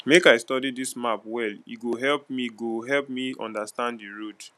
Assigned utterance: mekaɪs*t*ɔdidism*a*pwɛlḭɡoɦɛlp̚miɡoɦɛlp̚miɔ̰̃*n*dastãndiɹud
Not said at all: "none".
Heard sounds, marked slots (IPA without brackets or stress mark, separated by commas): t, a, n